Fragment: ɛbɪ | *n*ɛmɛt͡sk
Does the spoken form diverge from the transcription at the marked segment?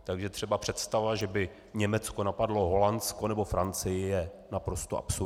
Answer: yes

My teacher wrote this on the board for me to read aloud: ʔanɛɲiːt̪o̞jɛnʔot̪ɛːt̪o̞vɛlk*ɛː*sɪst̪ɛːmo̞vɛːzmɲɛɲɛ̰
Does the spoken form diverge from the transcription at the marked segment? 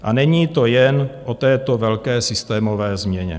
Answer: no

